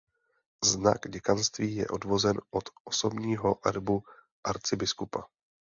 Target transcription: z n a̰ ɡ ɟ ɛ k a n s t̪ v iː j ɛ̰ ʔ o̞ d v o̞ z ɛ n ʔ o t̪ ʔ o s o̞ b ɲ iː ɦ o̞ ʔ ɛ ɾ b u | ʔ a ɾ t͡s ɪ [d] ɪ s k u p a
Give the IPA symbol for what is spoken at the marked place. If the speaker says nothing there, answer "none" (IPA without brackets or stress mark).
b